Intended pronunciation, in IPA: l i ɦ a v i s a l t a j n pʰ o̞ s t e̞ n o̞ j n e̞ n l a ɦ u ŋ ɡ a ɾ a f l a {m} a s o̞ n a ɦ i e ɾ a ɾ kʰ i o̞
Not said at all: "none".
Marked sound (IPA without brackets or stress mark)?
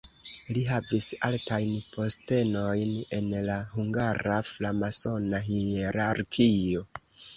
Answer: m